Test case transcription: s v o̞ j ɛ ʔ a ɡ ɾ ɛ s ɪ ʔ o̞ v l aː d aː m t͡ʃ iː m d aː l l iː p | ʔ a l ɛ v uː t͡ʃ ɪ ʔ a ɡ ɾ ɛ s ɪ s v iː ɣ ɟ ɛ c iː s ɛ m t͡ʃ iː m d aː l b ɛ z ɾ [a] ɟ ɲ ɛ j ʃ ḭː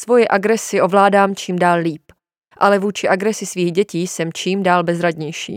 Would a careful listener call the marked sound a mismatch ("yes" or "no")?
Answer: no